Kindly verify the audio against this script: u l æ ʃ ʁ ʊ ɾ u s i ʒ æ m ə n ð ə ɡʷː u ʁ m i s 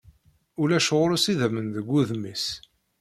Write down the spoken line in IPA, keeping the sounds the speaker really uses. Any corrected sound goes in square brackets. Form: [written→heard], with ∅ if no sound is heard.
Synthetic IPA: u l æ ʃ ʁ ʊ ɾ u s i [ʒ→ð] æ m ə n ð ə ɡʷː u [ʁ→ð] m i s